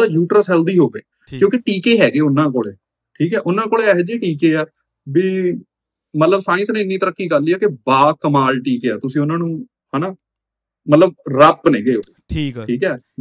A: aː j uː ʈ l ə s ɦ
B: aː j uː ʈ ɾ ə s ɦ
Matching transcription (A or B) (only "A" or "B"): B